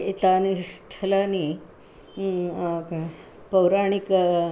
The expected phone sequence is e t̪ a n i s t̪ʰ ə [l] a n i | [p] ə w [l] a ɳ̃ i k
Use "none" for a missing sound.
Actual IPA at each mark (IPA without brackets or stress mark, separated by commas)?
l, p, ɾ